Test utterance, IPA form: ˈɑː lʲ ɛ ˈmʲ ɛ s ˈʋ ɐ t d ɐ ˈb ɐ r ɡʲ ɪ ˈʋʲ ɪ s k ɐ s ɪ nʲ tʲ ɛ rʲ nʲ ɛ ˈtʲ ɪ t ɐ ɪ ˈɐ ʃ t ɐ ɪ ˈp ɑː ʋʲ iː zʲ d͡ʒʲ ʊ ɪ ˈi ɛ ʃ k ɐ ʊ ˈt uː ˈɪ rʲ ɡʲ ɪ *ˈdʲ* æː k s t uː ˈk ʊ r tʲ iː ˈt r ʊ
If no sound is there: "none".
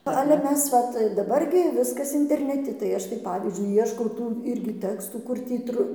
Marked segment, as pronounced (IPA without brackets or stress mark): tʲ